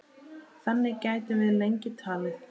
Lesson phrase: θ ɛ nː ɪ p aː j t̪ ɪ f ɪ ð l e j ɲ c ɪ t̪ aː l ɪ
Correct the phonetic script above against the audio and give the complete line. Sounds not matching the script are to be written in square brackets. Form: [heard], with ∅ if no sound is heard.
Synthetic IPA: θ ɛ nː ɪ [c] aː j t̪ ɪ [v] ɪ ð l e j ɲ c ɪ [t̪ʰ] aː l ɪ